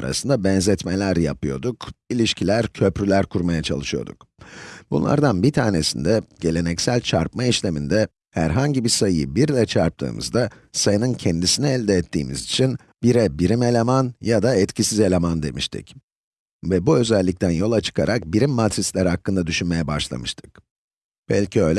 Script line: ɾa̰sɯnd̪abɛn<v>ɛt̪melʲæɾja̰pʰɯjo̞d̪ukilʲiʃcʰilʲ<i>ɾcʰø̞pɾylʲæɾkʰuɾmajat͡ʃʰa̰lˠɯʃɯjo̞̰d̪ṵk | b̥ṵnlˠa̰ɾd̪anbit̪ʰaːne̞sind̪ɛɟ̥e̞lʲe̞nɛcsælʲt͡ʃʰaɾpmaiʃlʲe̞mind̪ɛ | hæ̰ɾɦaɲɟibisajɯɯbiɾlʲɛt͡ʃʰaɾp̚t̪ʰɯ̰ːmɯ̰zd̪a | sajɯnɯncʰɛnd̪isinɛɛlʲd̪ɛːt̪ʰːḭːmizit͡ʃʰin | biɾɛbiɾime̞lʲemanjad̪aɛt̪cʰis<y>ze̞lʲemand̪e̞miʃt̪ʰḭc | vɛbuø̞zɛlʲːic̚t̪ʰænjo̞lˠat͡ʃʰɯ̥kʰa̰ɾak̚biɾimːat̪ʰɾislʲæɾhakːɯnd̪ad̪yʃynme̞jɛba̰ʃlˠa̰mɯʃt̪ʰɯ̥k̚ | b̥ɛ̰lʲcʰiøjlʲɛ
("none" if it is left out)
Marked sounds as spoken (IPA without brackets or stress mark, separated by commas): z, æ, i